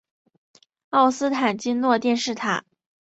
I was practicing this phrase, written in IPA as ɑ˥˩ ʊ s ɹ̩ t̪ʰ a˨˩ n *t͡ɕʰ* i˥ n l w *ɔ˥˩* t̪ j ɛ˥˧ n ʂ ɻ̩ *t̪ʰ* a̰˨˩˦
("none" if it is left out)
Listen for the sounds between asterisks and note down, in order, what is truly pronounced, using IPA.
t͡ɕ, ɔ˥˧, t̪ʰ

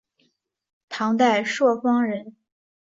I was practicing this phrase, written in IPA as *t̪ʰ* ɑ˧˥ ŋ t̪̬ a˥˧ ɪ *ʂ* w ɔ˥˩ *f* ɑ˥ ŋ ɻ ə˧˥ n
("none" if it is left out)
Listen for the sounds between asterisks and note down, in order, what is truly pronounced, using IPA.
t̪ʰ, ʂ, f

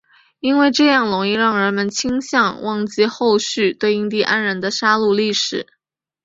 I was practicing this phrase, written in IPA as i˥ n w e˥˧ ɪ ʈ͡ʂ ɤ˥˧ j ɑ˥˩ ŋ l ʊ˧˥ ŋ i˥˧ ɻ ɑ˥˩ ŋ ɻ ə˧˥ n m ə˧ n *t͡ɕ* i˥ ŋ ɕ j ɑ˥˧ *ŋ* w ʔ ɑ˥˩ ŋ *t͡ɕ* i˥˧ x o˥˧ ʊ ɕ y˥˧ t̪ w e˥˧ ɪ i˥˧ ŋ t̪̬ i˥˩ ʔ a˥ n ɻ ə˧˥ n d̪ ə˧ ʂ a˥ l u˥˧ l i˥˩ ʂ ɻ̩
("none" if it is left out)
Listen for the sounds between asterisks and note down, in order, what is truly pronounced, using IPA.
t͡ɕʰ, ŋ, t͡ɕ

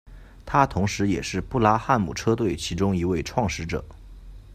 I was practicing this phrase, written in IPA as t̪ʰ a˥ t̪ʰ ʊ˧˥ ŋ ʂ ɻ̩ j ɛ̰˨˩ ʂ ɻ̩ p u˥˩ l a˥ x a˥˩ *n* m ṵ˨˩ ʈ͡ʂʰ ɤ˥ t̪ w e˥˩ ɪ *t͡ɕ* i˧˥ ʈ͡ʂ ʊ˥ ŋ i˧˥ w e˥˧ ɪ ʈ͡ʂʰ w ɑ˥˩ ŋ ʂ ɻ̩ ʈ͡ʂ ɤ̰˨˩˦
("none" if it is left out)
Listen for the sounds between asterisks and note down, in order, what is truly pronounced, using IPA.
n, t͡ɕʰ

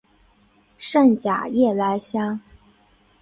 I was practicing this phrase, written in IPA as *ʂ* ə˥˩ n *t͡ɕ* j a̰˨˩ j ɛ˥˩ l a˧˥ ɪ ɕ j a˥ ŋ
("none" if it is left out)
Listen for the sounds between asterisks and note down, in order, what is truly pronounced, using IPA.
ʂ, t͡ɕ

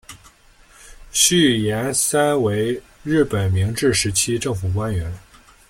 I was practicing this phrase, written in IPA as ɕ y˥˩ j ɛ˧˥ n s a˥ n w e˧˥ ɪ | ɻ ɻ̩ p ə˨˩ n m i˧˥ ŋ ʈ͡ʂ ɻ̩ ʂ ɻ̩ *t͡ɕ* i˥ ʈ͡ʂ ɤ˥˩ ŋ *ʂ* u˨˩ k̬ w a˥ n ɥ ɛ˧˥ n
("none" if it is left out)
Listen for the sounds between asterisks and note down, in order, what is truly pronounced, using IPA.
t͡ɕʰ, f

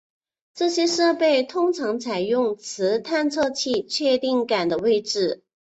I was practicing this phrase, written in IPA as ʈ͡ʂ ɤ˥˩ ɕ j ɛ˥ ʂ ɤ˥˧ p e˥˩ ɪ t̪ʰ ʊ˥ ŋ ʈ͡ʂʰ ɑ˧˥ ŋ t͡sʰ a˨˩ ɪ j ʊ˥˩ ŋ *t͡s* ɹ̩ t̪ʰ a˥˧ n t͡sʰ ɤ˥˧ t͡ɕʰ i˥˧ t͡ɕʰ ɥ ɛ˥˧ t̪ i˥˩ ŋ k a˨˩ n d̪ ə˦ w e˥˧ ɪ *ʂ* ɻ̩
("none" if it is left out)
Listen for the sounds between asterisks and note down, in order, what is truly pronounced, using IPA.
t͡sʰ, ʈ͡ʂ

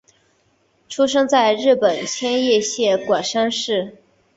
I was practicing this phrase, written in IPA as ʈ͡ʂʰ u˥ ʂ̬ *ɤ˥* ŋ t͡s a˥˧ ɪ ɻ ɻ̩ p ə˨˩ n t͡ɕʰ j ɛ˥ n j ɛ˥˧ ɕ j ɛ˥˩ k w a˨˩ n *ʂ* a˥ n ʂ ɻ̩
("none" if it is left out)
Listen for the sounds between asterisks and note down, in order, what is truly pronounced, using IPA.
ɤ˥, ʂ

